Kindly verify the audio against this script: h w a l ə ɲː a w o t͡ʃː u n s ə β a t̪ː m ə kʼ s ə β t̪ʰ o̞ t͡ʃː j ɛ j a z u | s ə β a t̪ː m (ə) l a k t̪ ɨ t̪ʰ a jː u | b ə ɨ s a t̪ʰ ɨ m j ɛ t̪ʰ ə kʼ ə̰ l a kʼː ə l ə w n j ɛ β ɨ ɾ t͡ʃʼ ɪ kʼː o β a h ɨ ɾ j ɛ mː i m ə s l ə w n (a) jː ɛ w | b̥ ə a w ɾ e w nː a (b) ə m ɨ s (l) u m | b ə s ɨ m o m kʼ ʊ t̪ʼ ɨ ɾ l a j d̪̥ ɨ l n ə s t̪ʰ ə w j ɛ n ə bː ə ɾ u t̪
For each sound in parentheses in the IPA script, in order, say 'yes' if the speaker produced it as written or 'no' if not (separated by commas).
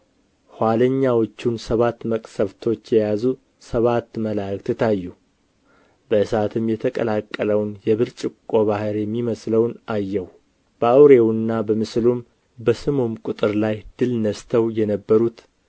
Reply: yes, yes, yes, yes